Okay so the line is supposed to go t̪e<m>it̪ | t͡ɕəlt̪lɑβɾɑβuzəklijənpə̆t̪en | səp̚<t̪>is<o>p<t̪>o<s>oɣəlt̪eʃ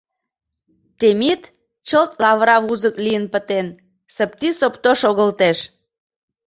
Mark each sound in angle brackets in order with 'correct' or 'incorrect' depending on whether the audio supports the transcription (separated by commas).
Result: correct, correct, correct, correct, incorrect